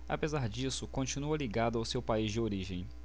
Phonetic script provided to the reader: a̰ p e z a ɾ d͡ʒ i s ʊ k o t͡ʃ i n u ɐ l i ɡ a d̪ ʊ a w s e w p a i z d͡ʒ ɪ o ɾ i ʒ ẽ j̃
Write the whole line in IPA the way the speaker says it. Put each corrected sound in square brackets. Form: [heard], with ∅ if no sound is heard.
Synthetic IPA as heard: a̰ p e z a ɾ d͡ʒ i s ʊ k [õ] t͡ʃ i n u ɐ l i ɡ a d̪ ʊ a w s e w p a i z d͡ʒ ɪ o ɾ i ʒ ẽ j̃

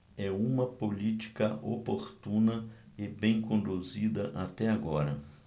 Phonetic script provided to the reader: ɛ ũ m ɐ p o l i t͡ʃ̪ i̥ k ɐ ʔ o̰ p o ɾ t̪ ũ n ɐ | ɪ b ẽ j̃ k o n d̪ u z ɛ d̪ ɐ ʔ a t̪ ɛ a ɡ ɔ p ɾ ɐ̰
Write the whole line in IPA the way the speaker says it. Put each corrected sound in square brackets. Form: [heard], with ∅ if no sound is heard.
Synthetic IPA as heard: ɛ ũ m ɐ p o l i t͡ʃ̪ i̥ k ɐ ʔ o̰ p o ɾ t̪ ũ n ɐ | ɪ b ẽ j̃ k [õ] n d̪ u z [i] d̪ ɐ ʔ a t̪ ɛ a ɡ ɔ [∅] ɾ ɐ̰

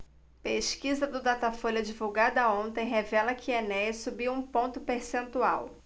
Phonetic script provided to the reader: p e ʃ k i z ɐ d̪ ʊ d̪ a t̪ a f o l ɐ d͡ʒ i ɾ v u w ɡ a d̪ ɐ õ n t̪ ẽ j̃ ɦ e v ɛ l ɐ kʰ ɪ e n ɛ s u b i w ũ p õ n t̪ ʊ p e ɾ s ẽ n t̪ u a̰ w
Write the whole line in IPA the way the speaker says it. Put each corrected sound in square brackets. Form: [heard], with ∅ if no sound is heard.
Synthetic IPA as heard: p e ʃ k i z ɐ d̪ ʊ d̪ a t̪ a f o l ɐ d͡ʒ i [∅] v u w ɡ a d̪ ɐ õ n t̪ ẽ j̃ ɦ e v ɛ l ɐ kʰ ɪ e n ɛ s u b i w ũ p õ n t̪ ʊ p e ɾ s ẽ n t̪ u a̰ w

